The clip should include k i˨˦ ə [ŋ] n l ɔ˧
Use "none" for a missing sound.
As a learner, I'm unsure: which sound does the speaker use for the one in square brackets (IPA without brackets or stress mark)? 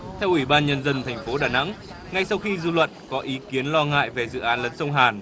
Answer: none